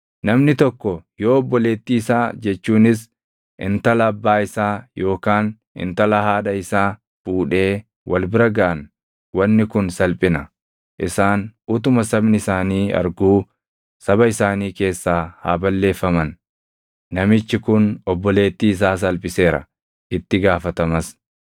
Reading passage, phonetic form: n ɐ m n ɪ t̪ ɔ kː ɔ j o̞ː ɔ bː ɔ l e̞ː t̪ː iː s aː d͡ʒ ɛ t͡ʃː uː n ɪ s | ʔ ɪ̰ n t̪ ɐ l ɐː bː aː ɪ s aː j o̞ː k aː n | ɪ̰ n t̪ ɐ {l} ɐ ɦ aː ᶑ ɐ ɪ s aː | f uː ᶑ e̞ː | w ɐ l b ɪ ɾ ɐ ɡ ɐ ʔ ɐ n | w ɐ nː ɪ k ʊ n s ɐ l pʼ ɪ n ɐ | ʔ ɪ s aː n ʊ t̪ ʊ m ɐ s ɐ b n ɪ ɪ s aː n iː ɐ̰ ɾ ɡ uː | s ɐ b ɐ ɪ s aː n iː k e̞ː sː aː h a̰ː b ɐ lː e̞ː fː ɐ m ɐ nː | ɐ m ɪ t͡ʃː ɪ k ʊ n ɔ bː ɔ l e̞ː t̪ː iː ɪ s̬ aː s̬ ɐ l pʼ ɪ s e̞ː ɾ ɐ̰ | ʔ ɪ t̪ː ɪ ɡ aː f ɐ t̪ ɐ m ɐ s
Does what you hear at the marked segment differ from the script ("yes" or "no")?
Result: no